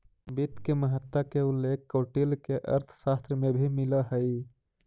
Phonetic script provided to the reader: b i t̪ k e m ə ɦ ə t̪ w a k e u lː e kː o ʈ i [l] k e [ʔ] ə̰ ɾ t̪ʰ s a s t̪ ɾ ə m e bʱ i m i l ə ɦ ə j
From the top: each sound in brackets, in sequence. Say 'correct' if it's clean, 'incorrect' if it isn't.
correct, correct

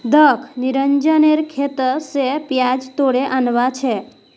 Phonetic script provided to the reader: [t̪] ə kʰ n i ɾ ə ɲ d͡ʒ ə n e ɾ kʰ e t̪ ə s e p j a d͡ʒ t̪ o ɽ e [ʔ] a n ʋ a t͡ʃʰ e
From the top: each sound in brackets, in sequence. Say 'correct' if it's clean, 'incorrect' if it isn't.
incorrect, correct

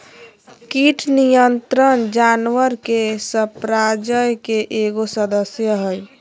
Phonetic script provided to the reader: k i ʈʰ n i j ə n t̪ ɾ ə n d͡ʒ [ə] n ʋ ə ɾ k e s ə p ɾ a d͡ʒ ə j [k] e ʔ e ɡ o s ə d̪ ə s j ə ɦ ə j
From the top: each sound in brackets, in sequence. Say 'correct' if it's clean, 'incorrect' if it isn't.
incorrect, correct

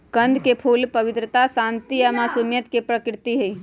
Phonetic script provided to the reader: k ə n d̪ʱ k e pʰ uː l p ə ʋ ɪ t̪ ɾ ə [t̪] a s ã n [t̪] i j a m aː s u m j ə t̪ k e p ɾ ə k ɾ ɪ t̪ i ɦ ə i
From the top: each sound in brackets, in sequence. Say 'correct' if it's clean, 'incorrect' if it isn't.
correct, correct

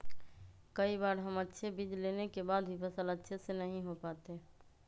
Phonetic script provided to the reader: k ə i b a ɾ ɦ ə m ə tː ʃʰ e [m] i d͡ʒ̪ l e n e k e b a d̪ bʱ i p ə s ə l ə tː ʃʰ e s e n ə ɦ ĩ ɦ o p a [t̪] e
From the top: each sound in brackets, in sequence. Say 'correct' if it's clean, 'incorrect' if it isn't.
incorrect, correct

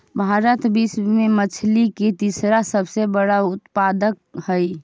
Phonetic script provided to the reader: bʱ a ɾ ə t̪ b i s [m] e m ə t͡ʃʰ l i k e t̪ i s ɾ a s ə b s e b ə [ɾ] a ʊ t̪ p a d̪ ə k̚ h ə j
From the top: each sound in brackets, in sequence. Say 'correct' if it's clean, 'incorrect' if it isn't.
correct, incorrect

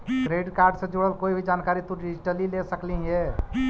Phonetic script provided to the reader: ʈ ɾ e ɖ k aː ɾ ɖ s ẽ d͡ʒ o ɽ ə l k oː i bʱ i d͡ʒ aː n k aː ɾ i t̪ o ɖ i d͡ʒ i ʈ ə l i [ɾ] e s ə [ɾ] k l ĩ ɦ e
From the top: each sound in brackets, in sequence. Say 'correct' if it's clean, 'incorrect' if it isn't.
incorrect, incorrect

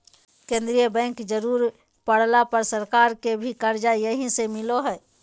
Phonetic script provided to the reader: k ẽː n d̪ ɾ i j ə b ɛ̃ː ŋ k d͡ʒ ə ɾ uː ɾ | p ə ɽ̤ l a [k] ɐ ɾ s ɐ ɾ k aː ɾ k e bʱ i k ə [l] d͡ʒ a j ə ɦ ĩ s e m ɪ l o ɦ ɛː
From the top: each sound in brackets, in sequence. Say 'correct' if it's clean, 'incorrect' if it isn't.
incorrect, incorrect

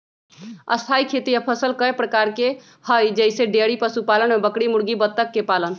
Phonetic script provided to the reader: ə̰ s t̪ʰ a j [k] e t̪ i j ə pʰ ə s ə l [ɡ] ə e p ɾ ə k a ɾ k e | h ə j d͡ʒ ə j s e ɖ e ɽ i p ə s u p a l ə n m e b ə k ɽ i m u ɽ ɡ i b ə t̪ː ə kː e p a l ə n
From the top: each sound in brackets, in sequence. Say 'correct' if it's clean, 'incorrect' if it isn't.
incorrect, incorrect

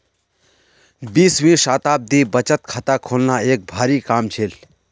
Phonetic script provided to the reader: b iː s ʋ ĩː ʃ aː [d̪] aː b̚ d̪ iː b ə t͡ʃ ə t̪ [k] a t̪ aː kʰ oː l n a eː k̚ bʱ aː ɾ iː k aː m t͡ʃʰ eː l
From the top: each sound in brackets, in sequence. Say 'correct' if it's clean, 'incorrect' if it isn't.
incorrect, incorrect

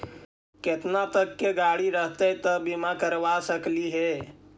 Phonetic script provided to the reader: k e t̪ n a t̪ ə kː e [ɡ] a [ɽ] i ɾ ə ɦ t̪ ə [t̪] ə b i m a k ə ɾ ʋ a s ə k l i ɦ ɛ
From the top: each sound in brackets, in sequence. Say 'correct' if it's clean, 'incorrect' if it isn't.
correct, correct, correct

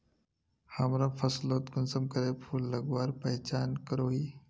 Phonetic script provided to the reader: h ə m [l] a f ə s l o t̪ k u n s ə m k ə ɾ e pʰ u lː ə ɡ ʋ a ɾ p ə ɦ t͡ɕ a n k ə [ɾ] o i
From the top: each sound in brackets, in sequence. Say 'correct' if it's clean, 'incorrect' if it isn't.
incorrect, correct

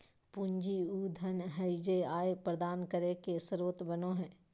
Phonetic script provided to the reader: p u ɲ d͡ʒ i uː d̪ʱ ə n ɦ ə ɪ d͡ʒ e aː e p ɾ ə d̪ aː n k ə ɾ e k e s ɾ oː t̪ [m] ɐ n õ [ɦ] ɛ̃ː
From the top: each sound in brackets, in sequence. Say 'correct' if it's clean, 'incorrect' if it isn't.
incorrect, correct

